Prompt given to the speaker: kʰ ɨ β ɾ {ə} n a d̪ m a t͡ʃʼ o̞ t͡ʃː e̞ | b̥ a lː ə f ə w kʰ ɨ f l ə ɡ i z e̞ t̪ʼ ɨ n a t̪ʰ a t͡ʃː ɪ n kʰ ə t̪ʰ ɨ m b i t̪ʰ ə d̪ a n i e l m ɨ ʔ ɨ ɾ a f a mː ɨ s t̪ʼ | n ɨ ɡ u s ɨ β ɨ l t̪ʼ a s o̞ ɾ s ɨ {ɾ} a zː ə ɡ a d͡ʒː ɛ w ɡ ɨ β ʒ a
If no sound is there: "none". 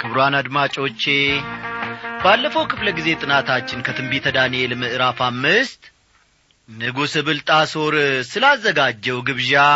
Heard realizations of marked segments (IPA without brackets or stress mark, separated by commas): a, l